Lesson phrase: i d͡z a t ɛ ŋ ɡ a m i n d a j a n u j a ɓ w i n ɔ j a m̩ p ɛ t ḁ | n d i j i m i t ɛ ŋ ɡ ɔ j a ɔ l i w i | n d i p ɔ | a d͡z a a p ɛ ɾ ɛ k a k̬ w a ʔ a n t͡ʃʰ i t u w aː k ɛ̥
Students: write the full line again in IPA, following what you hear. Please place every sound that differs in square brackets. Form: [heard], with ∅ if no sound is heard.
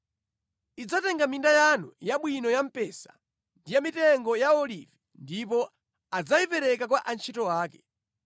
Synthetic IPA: i d͡z a t ɛ ŋ ɡ a m i n d a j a n u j a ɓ w i n ɔ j a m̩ p ɛ [s] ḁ | n d i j [a] m i t ɛ ŋ ɡ ɔ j a ɔ l i [v] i | n d i p ɔ | a d͡z a [i] p ɛ ɾ ɛ k a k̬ w a ʔ a n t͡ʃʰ i t [ɔ] w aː k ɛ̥

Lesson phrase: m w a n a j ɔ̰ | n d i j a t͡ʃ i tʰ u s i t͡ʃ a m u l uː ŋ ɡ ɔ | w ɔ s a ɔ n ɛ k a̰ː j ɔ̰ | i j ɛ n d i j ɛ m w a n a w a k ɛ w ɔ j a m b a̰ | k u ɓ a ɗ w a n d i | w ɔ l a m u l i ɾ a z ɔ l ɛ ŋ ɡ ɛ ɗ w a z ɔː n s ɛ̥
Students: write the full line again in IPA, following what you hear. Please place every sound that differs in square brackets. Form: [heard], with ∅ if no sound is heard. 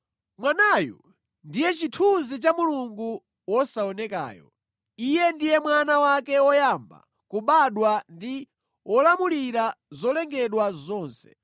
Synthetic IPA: m w a n a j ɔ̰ | n d i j [ɛ] t͡ʃ i tʰ u [z] i t͡ʃ a m u l [u] ŋ ɡ [u] | w ɔ s a ɔ n ɛ k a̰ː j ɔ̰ | i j ɛ n d i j ɛ m w a n a w a k ɛ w ɔ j a m b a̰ | k u ɓ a ɗ w a n d i | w ɔ l a m u l i ɾ a z ɔ l ɛ ŋ ɡ ɛ ɗ w a z ɔː n s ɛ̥

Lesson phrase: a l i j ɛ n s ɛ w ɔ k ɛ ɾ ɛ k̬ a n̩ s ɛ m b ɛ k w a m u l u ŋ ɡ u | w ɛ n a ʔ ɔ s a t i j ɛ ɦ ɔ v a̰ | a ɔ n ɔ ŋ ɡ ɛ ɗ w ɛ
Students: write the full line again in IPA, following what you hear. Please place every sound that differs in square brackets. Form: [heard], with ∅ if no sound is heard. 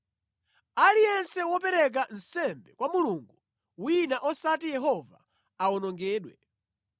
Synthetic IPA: a l i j ɛ n s ɛ w ɔ [p] ɛ ɾ ɛ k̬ a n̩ s ɛ m b ɛ k w a m u l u ŋ ɡ u | w [i] n a ʔ ɔ s a t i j ɛ ɦ ɔ v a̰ | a ɔ n ɔ ŋ ɡ [ɛː] ɗ w ɛ

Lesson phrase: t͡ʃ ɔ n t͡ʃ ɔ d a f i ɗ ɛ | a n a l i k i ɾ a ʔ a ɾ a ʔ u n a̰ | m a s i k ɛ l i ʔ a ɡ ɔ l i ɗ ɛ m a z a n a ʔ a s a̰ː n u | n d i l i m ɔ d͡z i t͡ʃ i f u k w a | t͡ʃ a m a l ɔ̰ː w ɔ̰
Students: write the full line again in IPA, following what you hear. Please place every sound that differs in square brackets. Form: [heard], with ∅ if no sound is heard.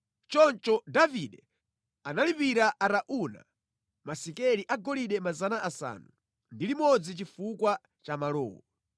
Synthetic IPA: t͡ʃ ɔ n t͡ʃ ɔ d a [v] i ɗ ɛ | a n a l i [p] i ɾ a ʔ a ɾ a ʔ u n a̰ | m a s i k ɛ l i ʔ a ɡ ɔ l i ɗ ɛ m a z a n a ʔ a s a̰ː n u | n d i l i m ɔ d͡z i t͡ʃ i f u k w a | t͡ʃ a m a l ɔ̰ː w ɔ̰

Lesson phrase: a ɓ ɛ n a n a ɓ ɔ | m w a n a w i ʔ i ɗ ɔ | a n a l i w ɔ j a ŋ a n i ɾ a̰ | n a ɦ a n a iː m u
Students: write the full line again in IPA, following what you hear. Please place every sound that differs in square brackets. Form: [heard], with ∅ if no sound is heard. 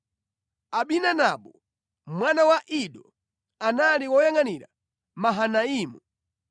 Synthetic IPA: a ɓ [i] n a n a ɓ ɔ | m w a n a w [a] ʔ i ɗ ɔ | a n a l i w ɔ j a ŋ a n i ɾ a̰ | [m] a ɦ a n a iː m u

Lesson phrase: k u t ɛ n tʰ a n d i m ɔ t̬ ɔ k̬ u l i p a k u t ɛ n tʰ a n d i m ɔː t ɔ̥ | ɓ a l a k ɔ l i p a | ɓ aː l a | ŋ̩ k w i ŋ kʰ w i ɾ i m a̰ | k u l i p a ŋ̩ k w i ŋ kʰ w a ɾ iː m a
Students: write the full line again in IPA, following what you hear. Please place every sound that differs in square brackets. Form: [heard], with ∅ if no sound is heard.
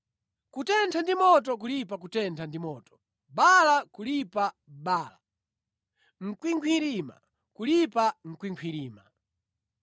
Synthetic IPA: k u t ɛ n tʰ a n d i m ɔ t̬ ɔ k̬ u l i p a k u t ɛ n tʰ a n d i m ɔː t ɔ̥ | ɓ a l a k [u] l i p a | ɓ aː l a | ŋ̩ k w i ŋ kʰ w i ɾ i m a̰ | k u l i p a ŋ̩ k w i ŋ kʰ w [i] ɾ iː m a

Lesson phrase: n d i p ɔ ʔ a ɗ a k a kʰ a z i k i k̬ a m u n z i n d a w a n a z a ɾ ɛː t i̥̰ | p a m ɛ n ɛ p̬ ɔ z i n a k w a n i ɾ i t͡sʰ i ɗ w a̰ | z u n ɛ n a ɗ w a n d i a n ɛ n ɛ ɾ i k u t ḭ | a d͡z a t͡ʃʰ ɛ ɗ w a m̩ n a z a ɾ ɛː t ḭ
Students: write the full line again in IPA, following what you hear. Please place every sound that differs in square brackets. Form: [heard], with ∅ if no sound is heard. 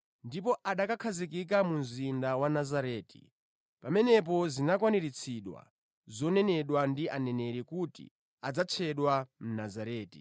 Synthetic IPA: n d i p ɔ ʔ a ɗ a k a kʰ a z i k i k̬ a m u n z i n d a w a n a z a ɾ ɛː t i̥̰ | p a m ɛ n ɛ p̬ ɔ z i n a k w a n i ɾ i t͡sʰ i ɗ w a̰ | z [ɔ] n ɛ n [ɛ] ɗ w a n d i a n ɛ n ɛ ɾ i k u t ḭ | a d͡z a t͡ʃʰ ɛ ɗ w a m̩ n a z a ɾ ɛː t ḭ

